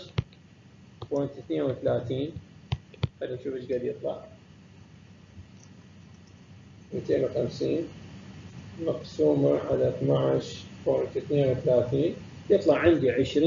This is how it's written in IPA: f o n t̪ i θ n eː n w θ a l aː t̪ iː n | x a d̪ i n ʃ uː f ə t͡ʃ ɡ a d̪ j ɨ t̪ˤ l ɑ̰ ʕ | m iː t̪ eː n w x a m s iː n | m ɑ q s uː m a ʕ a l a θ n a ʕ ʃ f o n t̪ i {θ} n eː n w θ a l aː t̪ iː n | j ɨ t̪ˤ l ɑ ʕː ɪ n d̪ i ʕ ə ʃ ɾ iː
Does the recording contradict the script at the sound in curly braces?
no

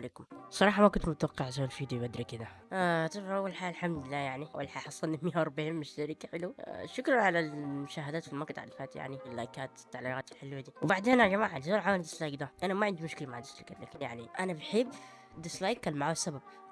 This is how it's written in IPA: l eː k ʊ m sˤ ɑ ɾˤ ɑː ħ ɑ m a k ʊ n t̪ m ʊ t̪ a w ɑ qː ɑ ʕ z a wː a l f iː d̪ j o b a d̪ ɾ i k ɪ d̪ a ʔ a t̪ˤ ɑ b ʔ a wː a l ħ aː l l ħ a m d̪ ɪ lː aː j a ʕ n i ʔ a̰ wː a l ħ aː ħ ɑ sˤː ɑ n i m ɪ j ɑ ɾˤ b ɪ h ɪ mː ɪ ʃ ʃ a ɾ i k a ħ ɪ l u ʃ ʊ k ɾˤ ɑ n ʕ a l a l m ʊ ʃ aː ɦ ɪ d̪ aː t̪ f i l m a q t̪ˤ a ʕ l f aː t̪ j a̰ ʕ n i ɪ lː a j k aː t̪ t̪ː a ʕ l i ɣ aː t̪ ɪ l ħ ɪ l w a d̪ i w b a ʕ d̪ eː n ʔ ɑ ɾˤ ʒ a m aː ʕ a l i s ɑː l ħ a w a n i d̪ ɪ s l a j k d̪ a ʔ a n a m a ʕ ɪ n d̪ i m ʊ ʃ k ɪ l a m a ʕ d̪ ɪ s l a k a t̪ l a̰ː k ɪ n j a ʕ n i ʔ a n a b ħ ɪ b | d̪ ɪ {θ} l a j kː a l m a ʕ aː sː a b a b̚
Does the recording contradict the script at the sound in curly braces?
yes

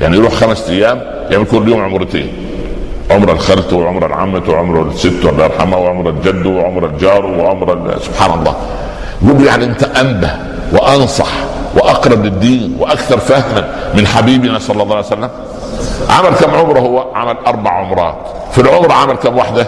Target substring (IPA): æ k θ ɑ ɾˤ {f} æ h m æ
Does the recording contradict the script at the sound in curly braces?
no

